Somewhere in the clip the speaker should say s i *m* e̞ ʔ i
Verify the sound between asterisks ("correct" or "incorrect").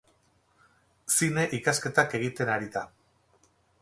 incorrect